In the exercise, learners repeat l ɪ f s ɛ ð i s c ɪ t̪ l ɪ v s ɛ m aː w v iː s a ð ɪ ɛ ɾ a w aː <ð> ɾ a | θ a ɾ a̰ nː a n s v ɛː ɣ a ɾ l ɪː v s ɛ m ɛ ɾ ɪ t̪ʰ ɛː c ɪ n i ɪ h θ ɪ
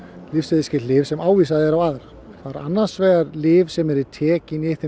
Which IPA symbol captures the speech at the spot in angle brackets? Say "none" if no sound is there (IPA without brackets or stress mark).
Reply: ð